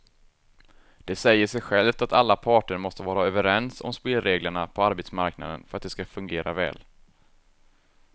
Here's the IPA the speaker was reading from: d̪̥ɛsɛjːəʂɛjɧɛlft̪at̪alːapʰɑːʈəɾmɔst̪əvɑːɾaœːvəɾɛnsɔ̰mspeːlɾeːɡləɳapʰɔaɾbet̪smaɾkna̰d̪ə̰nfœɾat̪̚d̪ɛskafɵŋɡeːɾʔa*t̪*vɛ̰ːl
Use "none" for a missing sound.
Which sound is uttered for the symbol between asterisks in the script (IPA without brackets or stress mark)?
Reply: none